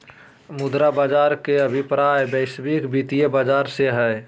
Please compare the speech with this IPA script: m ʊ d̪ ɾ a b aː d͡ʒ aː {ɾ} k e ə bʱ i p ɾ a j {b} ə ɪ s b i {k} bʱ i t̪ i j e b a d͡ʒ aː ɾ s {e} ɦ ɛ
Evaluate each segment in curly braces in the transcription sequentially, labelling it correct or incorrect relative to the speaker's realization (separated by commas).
correct, correct, correct, correct